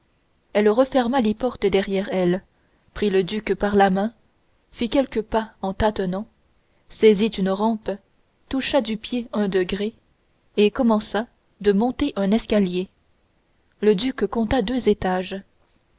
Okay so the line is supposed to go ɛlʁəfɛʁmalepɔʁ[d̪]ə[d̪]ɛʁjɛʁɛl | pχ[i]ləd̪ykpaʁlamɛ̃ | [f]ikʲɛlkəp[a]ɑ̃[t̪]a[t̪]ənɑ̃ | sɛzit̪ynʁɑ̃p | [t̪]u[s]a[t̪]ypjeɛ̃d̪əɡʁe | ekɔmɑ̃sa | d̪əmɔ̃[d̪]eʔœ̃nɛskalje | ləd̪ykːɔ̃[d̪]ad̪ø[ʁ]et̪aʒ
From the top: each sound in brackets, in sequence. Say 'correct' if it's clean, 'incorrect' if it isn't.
incorrect: t̪, correct, correct, correct, correct, correct, correct, correct, incorrect: ʃ, incorrect: d̪, incorrect: t̪, incorrect: t̪, incorrect: z

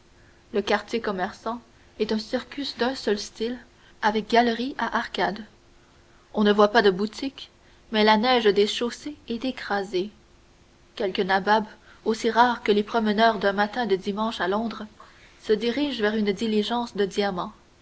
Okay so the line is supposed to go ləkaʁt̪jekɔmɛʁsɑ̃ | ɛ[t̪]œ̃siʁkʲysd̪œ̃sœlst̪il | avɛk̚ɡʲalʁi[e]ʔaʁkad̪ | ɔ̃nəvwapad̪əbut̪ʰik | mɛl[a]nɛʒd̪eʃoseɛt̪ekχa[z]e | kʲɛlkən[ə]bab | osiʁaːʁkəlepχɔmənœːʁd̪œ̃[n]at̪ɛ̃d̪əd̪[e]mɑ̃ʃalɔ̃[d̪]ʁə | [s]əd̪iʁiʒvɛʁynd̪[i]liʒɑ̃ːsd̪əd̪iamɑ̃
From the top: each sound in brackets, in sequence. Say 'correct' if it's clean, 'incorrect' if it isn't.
correct, incorrect: a, correct, correct, incorrect: a, incorrect: m, incorrect: i, correct, correct, correct

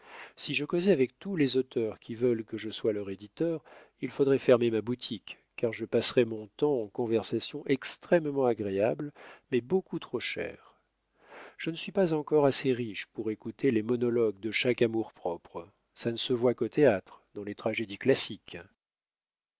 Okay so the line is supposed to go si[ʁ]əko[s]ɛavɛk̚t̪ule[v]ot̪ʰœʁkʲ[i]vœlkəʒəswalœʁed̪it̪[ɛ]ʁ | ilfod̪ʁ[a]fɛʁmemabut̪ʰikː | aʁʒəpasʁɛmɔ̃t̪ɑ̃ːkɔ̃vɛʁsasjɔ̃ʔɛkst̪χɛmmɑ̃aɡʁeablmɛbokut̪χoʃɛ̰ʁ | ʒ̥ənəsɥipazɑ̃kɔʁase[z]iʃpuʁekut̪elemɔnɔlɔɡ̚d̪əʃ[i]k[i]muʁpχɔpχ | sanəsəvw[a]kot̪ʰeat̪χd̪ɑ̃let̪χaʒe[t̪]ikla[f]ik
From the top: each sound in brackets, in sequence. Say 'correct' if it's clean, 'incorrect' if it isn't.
incorrect: ʒ, incorrect: z, incorrect: z, correct, incorrect: œ, incorrect: ɛ, incorrect: ʁ, incorrect: a, incorrect: a, correct, incorrect: d̪, incorrect: s

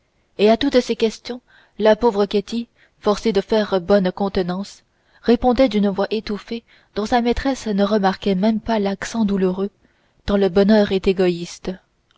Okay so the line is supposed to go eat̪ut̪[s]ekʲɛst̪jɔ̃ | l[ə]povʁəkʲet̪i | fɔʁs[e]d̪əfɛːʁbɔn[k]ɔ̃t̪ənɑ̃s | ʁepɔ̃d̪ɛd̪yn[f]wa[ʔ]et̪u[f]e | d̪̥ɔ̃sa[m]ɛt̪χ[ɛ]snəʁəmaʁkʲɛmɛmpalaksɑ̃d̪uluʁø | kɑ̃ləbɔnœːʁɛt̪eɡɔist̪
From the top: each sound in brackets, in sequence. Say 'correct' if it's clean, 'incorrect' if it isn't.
correct, incorrect: a, correct, correct, incorrect: v, correct, correct, correct, correct

